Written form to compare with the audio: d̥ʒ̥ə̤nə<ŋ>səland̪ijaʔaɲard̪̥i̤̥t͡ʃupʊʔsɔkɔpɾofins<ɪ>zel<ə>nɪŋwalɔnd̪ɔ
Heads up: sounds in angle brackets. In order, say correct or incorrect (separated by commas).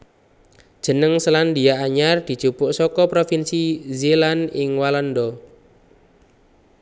correct, incorrect, incorrect